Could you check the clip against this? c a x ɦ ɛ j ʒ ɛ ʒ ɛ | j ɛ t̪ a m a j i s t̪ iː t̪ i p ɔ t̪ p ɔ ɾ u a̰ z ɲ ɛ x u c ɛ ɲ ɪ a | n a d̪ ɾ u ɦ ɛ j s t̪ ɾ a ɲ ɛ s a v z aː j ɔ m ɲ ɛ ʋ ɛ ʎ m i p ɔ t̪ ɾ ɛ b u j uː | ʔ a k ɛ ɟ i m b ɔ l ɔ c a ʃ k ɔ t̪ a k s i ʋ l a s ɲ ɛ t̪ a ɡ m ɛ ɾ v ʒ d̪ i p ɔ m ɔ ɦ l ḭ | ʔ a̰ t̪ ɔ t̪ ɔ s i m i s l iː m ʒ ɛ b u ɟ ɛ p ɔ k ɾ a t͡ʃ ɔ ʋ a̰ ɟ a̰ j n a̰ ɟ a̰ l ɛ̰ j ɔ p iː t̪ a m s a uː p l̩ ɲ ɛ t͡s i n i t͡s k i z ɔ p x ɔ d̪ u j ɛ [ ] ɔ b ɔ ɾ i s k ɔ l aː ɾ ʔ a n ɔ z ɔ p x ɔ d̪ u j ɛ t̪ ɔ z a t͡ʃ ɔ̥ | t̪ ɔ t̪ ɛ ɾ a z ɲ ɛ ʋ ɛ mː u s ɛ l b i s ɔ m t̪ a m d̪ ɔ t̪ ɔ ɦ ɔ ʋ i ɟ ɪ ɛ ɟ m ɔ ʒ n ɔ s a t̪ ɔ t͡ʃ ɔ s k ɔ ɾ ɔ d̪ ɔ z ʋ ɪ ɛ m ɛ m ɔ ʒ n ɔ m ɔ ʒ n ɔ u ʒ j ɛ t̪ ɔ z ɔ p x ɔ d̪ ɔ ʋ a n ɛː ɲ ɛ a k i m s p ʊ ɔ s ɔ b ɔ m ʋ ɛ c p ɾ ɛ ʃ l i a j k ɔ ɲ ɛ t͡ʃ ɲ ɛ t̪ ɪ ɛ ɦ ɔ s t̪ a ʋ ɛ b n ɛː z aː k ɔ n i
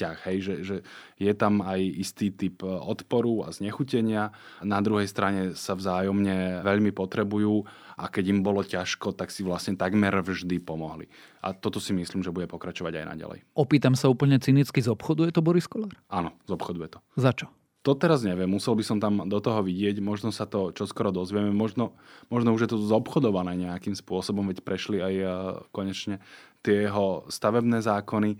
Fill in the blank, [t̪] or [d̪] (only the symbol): t̪